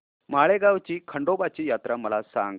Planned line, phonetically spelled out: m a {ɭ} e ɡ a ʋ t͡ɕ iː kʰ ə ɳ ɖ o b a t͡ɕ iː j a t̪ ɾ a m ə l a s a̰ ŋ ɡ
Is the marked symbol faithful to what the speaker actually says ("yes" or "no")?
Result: yes